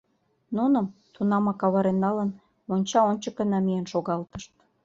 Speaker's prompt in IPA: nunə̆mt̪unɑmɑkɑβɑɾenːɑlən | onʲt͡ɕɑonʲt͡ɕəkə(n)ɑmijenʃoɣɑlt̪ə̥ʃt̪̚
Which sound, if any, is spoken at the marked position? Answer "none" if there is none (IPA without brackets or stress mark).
n